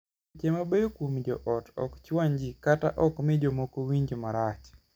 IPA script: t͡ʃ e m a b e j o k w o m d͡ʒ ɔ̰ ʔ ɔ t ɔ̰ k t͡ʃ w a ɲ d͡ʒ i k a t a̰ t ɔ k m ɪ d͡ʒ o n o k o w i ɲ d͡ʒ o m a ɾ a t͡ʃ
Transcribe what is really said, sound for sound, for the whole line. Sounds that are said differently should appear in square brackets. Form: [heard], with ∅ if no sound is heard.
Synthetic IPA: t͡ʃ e m a b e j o k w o m d͡ʒ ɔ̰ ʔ ɔ t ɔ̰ k t͡ʃ w a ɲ d͡ʒ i k a t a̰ [ʔ] ɔ k m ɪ d͡ʒ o [m] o k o w i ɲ d͡ʒ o m a ɾ a t͡ʃ